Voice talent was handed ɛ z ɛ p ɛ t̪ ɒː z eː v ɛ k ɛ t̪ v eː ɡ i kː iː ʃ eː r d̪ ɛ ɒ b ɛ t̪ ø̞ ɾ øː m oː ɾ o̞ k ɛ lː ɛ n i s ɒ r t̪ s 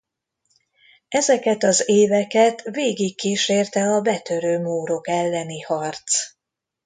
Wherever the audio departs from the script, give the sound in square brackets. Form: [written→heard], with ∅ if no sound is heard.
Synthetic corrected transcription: ɛ z ɛ [p→k] ɛ t̪ [ɒː→ɒ] z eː v ɛ k ɛ t̪ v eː ɡ i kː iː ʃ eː r [d̪→t̪] ɛ ɒ b ɛ t̪ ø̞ ɾ øː m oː ɾ o̞ k ɛ lː ɛ n i [s→h] ɒ r t̪ s